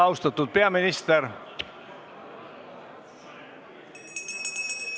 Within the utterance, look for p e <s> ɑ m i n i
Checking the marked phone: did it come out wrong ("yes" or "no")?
yes